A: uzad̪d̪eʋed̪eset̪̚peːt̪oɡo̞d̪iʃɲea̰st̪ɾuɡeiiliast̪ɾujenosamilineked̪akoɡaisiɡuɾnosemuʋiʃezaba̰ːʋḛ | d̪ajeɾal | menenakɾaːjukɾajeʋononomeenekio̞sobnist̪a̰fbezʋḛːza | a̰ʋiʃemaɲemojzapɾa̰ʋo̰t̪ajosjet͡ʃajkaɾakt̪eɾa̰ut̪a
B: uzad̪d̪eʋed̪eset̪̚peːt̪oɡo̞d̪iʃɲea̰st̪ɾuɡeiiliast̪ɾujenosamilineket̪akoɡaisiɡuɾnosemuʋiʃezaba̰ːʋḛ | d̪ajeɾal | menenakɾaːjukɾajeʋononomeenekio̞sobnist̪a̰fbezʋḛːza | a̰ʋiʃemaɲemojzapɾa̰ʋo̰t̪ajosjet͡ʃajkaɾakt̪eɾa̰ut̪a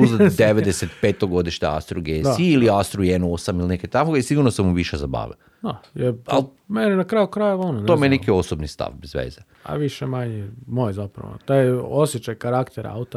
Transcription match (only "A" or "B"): B